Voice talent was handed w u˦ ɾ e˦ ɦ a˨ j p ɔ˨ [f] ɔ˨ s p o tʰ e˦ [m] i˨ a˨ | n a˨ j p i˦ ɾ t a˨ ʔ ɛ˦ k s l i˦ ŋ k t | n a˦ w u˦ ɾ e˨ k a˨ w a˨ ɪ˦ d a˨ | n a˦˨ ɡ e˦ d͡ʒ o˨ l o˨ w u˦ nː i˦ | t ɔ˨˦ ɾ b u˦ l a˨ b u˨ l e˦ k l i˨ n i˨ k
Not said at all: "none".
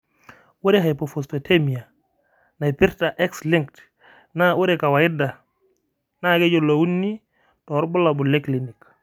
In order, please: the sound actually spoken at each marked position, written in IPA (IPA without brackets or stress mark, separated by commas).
f, m